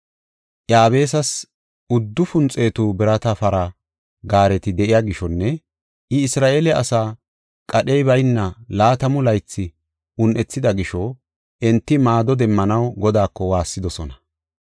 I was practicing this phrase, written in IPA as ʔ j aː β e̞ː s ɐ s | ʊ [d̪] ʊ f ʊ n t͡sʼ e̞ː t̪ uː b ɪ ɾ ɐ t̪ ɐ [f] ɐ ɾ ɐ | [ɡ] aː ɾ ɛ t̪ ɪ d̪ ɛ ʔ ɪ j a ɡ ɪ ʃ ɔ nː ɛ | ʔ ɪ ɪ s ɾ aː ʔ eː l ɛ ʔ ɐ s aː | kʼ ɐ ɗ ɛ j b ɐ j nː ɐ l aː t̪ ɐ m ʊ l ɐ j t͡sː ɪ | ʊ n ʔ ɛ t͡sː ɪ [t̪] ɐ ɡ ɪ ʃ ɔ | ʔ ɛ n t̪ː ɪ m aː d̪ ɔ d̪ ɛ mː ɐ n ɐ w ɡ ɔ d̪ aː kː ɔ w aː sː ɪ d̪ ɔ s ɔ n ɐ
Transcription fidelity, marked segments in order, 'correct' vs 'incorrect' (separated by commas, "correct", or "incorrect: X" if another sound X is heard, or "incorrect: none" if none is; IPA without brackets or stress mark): incorrect: d̪ː, correct, correct, incorrect: d̪